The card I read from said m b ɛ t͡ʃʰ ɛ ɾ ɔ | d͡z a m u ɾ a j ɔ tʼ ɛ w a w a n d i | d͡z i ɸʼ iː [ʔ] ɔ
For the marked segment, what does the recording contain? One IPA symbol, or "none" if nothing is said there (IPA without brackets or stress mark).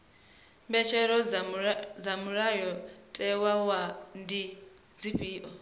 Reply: ʔ